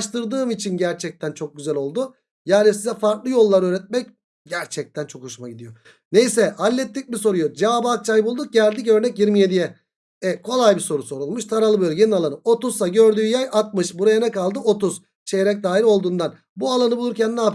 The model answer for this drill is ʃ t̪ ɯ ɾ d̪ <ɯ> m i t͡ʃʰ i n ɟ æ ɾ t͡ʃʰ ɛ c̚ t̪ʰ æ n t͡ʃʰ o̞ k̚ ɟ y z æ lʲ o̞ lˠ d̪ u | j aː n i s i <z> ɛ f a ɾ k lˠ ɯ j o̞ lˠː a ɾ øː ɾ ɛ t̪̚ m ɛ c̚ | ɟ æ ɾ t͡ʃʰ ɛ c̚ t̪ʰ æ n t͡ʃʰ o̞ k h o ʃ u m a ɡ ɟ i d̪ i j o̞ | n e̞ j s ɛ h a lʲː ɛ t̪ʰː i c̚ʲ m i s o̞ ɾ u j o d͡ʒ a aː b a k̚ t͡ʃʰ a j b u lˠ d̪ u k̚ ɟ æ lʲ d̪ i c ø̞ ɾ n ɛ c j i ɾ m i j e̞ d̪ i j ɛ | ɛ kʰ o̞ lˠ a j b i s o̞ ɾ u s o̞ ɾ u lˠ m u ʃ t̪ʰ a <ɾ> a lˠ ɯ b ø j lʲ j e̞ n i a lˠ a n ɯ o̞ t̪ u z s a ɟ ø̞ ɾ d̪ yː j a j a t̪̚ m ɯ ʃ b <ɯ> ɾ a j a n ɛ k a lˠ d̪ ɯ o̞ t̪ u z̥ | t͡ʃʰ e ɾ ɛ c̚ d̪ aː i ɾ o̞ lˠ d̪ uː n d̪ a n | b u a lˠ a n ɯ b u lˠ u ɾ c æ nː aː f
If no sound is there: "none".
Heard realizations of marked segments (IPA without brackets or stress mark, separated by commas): ɯː, z, ɾ, u